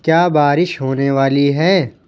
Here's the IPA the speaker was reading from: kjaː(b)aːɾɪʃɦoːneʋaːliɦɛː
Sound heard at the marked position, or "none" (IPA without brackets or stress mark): b